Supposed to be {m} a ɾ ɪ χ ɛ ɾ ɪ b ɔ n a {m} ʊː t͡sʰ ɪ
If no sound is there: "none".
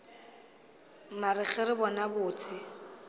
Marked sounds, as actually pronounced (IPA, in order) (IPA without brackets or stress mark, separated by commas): m, b